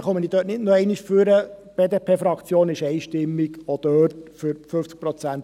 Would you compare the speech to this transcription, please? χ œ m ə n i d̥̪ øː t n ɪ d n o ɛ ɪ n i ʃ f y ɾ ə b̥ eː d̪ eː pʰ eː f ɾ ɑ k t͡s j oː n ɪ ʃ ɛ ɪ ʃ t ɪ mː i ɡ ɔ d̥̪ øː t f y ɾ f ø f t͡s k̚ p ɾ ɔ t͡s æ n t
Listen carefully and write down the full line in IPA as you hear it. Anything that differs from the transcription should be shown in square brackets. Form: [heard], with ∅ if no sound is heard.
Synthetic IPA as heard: χ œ m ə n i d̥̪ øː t n ɪ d n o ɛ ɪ n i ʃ f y ɾ ə b̥ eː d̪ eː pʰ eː f ɾ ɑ k t͡s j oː n ɪ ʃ ɛ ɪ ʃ t ɪ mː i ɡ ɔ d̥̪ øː t f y ɾ f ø f t͡s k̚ p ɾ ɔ t͡s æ n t